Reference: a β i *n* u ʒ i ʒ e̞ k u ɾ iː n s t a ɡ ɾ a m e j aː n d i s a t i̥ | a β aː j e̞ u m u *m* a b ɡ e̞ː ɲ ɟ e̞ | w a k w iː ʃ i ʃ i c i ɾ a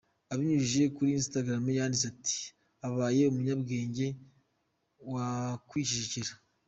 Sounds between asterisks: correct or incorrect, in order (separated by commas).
incorrect, incorrect